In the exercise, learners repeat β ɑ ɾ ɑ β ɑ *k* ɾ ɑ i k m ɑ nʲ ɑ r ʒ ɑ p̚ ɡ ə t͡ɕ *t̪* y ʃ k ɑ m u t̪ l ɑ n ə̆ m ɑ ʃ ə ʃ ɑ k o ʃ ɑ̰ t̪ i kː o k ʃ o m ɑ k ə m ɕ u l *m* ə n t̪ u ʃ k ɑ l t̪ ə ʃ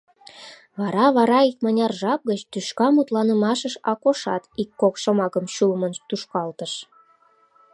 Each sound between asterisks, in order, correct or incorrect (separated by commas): incorrect, correct, correct